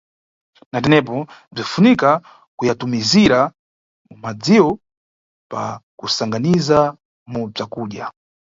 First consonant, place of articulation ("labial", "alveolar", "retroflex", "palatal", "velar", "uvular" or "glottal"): alveolar